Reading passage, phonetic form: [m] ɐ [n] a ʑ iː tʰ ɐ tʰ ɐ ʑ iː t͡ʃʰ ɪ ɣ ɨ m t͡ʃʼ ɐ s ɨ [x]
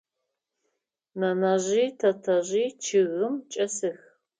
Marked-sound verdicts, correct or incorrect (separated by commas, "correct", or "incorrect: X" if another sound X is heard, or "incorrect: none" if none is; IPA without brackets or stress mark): incorrect: n, correct, correct